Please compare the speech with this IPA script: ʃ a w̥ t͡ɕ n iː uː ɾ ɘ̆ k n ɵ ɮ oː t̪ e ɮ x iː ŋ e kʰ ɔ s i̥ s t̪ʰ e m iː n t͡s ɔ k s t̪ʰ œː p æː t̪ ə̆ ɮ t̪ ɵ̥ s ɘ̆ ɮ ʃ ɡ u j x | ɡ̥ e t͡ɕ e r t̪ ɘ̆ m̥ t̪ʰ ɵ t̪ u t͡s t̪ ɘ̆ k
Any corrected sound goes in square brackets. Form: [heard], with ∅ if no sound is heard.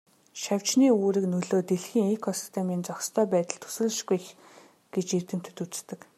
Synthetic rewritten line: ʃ a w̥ t͡ɕ n iː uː ɾ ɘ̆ k n ɵ ɮ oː t̪ e ɮ x iː ŋ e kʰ ɔ s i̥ s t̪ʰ e m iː n t͡s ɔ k s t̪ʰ œː p æː t̪ ə̆ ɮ [t̪ʰ] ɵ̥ s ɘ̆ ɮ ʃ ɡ u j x | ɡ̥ e t͡ɕ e r t̪ ɘ̆ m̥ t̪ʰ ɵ t̪ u t͡s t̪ ɘ̆ k